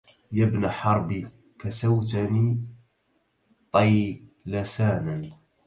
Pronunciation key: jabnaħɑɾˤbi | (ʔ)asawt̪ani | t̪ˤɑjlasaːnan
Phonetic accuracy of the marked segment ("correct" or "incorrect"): incorrect